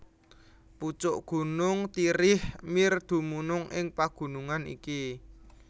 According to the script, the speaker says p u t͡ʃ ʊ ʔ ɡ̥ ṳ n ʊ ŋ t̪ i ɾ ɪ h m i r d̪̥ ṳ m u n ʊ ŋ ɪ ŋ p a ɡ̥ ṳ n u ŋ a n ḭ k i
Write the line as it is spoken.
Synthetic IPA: p u t͡ʃ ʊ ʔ ɡ̥ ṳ n ʊ ŋ t̪ i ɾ ɪ h m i r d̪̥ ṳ m u n ʊ ŋ ɪ ŋ p a ɡ̥ ṳ n u ŋ a n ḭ k i